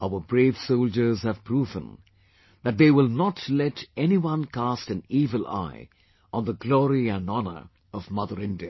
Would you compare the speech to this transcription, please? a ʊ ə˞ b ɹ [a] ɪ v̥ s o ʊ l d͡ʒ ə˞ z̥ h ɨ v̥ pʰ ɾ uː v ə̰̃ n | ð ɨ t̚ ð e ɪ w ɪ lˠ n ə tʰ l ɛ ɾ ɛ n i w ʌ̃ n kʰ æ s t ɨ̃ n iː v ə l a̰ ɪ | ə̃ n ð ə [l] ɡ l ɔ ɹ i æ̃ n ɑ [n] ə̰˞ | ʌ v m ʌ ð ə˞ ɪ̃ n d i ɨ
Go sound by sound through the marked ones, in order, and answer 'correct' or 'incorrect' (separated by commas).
incorrect, incorrect, correct